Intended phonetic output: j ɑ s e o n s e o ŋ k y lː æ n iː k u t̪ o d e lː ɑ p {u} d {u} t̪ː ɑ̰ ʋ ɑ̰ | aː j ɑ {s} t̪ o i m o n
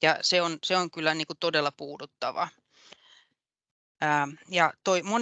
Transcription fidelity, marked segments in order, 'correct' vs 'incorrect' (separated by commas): incorrect, correct, incorrect